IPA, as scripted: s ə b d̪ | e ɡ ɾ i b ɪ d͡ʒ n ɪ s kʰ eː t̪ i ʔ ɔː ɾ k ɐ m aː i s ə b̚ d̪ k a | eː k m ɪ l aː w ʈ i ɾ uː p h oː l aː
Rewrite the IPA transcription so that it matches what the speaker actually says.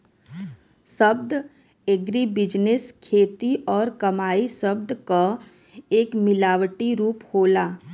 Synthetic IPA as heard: s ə b d̪ | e ɡ ɾ i b ɪ d͡ʒ n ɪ s kʰ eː t̪ i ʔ ɔː ɾ k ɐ m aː i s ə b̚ d̪ k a | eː k m ɪ l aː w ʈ i ɾ uː p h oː l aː